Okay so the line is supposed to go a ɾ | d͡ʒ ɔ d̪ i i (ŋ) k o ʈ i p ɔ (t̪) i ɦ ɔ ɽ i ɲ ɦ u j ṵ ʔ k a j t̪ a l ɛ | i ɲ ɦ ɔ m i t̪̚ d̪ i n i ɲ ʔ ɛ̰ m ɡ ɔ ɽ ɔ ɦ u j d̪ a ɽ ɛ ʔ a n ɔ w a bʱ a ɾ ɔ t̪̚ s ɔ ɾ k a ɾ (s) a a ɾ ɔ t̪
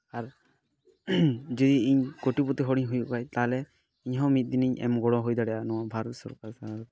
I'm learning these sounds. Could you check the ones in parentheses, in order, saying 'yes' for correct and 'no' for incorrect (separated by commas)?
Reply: no, yes, yes